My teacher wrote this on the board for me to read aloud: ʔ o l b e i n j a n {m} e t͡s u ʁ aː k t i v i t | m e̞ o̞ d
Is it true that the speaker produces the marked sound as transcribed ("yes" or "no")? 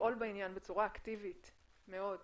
no